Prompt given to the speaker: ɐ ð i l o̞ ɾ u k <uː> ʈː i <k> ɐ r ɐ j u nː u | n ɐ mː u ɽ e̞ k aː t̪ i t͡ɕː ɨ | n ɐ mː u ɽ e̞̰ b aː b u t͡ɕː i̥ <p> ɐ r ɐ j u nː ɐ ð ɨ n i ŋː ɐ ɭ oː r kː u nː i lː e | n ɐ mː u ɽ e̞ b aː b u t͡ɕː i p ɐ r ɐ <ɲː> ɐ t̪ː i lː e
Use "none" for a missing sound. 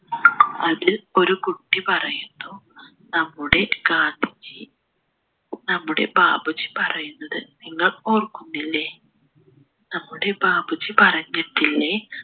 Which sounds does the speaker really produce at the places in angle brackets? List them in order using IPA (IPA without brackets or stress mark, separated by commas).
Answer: u, p, p, ɲː